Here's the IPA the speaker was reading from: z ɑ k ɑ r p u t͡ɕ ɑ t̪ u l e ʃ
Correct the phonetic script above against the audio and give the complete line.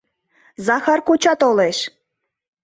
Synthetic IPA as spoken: z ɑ x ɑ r k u t͡ɕ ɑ t̪ o l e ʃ